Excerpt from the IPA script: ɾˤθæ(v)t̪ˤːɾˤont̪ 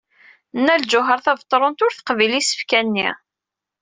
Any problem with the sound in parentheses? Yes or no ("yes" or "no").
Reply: no